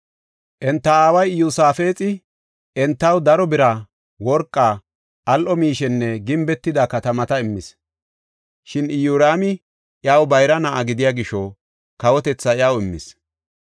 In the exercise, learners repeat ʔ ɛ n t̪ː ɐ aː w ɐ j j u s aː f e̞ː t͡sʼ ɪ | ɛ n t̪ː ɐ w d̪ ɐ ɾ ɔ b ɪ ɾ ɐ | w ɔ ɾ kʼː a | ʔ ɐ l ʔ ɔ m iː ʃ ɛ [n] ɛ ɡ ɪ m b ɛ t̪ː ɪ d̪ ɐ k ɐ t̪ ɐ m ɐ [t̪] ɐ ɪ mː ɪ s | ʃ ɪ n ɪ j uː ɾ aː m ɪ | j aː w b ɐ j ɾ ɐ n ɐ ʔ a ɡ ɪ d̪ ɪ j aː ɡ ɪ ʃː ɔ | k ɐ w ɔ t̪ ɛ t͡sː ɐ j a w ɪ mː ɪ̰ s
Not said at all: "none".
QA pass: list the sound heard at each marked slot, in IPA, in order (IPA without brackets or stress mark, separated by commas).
nː, t̪